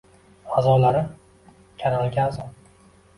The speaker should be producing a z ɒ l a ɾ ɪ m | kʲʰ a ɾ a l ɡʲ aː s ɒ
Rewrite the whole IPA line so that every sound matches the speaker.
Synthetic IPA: a z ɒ l a ɾ ɪ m | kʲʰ a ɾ a l ɡʲ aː z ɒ